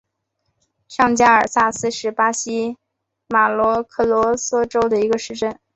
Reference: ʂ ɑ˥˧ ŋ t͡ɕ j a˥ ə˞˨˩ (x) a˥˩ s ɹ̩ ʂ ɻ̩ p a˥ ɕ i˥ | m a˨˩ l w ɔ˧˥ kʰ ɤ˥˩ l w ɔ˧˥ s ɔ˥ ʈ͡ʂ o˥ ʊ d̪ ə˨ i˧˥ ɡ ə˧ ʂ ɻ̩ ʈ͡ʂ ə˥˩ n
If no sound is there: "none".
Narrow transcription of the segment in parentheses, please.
s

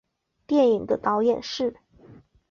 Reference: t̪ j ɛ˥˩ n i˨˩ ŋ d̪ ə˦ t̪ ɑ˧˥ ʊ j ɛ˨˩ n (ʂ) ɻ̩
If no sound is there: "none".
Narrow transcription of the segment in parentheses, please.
ʂ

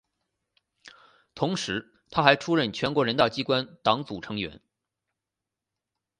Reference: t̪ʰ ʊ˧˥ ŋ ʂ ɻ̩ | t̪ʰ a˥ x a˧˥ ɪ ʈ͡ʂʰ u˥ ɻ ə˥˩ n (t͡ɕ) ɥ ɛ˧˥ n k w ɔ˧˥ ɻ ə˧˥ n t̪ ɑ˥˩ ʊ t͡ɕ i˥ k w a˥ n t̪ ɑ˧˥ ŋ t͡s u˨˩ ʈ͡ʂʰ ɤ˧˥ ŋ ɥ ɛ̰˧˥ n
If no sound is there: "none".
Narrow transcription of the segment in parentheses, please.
t͡ɕʰ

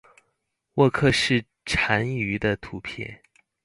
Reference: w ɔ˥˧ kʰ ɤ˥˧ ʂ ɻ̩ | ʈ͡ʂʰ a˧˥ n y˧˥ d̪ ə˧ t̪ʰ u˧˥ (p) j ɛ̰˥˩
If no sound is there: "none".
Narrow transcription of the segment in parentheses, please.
pʰ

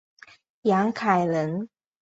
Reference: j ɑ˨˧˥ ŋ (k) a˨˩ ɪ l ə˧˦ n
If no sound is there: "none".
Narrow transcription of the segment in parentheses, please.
kʰ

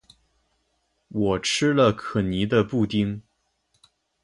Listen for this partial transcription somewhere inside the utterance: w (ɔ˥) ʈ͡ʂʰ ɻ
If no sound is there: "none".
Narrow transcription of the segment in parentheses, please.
ɔ˨˩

